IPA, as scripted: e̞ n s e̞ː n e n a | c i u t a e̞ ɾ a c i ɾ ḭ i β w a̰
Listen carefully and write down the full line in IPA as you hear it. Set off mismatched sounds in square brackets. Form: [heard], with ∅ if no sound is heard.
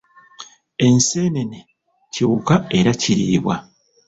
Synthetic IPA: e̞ n s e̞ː n e n [e] | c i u [k] a e̞ ɾ a c i ɾ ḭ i β w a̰